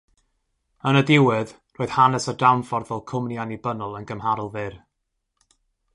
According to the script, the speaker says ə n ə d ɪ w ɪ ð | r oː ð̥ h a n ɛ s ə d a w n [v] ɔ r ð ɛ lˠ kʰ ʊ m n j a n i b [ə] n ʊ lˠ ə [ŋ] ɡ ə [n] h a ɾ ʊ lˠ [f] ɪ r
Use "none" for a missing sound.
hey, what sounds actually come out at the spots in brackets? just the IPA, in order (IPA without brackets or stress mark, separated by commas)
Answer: f, ə, n, m, v